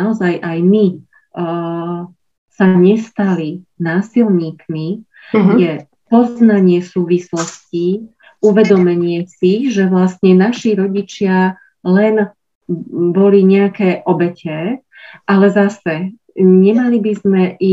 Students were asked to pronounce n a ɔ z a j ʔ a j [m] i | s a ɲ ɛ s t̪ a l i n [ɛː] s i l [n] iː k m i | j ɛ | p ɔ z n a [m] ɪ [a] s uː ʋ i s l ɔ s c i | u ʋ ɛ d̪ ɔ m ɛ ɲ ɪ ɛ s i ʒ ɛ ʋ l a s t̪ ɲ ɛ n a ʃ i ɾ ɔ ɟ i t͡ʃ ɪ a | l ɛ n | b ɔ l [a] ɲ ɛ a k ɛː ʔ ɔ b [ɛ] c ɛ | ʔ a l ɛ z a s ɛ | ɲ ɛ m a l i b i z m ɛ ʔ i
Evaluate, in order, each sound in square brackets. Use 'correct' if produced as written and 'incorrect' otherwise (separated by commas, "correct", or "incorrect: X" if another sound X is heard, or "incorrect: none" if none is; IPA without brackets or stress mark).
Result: correct, incorrect: aː, incorrect: ɲ, incorrect: ɲ, incorrect: ɛ, incorrect: i, correct